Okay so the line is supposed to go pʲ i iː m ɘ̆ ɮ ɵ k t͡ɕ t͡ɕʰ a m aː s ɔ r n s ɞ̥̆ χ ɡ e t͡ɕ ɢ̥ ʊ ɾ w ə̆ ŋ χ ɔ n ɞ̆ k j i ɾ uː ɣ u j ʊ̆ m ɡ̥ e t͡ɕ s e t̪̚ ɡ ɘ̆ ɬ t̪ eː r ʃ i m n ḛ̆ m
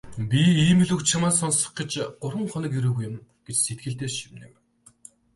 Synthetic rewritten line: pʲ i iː m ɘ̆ ɮ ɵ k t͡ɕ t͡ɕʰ a m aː s ɔ n s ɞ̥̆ χ ɡ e t͡ɕ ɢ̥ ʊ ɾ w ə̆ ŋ χ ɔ n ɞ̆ k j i ɾ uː ɣ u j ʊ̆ m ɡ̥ e t͡ɕ s e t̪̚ ɡ ɘ̆ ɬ t̪ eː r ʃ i m n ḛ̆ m